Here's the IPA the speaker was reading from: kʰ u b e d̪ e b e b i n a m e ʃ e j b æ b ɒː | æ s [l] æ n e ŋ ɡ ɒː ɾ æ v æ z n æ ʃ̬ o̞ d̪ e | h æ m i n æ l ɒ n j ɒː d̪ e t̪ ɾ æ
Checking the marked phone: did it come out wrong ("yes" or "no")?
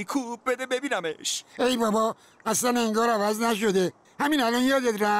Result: no